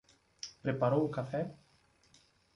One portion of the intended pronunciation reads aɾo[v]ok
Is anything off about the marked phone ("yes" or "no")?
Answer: yes